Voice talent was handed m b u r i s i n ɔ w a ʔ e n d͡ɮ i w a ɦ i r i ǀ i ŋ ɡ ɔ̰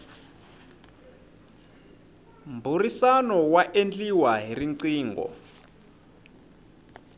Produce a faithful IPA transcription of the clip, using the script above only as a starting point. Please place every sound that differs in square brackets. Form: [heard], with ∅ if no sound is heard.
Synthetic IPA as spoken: m b u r i s [a] n ɔ w a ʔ e n d͡ɮ i w a ɦ i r i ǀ [iː] ŋ ɡ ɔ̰